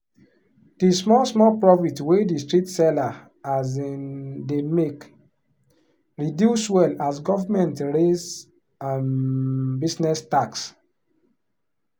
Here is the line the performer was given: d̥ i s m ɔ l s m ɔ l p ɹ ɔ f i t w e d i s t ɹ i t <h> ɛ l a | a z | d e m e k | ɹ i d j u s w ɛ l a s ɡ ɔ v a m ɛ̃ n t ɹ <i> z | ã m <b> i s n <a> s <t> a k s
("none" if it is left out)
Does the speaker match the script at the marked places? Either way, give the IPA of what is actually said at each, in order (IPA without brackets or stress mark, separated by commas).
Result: s, e, b, ɛ, t